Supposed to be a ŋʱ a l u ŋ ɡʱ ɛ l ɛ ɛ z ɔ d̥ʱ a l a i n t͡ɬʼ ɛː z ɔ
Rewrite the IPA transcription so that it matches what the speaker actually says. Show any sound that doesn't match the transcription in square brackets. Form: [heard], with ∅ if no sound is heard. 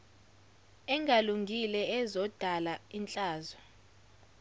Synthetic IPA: [ɛ] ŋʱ a l u ŋ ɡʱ [i] l ɛ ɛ z ɔ d̥ʱ a l a i n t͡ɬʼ [aː] z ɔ